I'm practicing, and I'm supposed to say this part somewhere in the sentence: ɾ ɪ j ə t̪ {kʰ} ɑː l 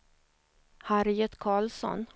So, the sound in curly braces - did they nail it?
yes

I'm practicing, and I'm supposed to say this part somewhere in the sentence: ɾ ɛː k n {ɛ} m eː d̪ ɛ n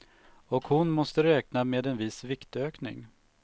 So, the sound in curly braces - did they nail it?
no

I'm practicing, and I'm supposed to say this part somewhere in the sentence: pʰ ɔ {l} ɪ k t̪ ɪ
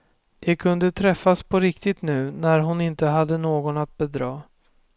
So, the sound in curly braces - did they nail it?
no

